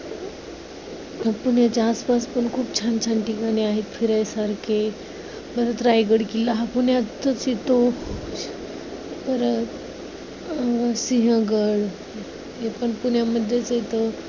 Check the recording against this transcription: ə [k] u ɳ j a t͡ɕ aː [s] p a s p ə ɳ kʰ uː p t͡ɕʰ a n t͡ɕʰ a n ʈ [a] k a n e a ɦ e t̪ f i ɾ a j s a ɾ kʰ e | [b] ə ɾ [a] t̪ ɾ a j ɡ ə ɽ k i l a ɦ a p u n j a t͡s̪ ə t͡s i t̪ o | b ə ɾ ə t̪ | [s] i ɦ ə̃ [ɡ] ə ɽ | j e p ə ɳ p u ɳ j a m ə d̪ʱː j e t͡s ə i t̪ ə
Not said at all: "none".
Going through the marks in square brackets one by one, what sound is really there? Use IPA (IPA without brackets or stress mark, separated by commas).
p, s, i, b, ə, s, ɡ